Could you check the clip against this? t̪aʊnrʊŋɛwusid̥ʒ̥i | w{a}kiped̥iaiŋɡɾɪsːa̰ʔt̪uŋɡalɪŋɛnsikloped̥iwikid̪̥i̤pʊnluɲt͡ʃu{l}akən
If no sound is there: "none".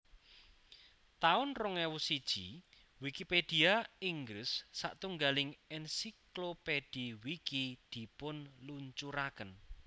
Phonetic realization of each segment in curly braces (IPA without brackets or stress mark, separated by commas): i, ɾ